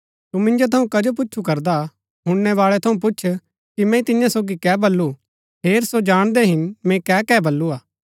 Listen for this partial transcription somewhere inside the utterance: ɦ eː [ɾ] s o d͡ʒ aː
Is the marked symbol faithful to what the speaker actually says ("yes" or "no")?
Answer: yes